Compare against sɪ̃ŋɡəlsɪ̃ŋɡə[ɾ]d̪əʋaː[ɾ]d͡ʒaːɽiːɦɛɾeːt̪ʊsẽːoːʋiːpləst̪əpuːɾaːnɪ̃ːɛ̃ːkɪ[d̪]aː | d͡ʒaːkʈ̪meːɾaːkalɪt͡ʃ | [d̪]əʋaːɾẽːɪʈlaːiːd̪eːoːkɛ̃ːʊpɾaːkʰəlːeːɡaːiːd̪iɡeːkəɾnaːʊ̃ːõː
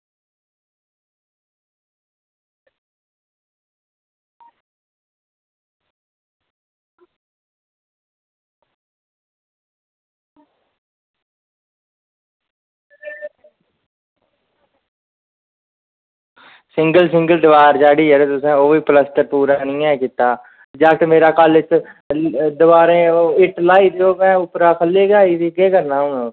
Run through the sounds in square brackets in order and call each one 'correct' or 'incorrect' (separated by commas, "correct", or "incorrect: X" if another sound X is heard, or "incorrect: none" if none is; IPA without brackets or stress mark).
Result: incorrect: l, correct, incorrect: t̪, correct